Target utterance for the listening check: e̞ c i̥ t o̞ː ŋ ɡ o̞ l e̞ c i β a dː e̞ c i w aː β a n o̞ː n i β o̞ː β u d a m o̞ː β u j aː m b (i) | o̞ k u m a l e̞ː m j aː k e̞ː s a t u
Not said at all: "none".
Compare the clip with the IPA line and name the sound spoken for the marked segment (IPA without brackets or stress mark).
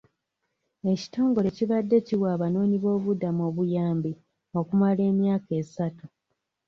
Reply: i